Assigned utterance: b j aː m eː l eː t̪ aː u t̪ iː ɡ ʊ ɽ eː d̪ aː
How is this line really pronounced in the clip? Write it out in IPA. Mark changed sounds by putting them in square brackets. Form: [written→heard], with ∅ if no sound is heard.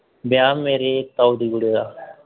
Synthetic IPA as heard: b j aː m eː [l→ɾ] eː t̪ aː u [t̪→d̪] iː ɡ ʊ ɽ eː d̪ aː